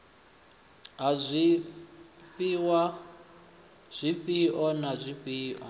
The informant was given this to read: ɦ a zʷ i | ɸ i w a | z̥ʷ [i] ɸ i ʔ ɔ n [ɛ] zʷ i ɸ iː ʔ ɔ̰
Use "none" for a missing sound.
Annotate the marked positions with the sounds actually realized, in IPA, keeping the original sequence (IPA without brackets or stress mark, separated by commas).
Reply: i, a